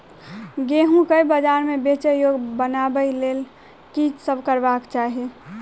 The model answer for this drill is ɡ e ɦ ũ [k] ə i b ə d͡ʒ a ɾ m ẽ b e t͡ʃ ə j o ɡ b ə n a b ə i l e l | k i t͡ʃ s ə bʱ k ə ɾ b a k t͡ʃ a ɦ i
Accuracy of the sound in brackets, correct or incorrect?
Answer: correct